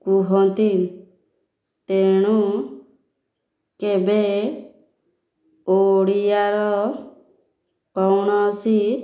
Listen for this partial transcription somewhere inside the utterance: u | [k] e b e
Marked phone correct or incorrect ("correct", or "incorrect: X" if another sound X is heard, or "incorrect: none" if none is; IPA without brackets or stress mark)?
correct